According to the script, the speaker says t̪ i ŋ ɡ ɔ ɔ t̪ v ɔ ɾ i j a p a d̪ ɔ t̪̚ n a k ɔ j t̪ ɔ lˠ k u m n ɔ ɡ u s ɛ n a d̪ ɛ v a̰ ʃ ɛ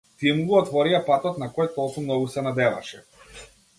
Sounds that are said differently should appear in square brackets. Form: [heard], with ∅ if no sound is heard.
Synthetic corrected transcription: t̪ i [m] ɡ [u] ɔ t̪ v ɔ ɾ i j a p a [t̪] ɔ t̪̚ n a k ɔ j t̪ ɔ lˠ k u m n ɔ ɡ u s ɛ n a d̪ ɛ v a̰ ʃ ɛ